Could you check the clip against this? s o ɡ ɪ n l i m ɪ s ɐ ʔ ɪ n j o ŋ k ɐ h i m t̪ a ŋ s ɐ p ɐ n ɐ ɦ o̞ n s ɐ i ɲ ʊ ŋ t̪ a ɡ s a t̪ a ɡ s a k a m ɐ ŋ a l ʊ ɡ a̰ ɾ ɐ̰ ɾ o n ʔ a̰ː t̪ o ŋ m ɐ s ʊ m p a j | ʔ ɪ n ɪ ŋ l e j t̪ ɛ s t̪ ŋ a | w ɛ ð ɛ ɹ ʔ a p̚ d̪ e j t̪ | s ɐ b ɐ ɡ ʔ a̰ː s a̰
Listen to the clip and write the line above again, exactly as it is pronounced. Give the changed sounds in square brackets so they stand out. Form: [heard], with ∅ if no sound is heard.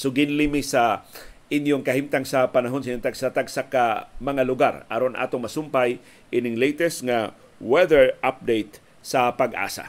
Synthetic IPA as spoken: s o ɡ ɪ n l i m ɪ s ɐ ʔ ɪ n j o ŋ k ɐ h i m t̪ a ŋ s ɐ p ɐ n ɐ ɦ o̞ n s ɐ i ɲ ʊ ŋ t̪ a ɡ s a t̪ a ɡ s a k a m ɐ ŋ a l ʊ ɡ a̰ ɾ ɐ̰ ɾ o n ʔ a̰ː t̪ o ŋ m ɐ s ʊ m p a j | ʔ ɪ n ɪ ŋ l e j t̪ ɛ s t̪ ŋ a | w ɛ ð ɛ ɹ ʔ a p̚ d̪ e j t̪ | s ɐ [p] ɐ ɡ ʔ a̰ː s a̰